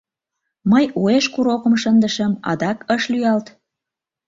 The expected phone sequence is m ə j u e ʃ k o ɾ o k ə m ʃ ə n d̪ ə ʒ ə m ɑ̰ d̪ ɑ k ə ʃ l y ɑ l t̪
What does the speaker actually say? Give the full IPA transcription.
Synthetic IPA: m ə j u e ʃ k u ɾ o k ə m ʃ ə n d̪ ə ʃ ə m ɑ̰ d̪ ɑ k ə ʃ l y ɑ l t̪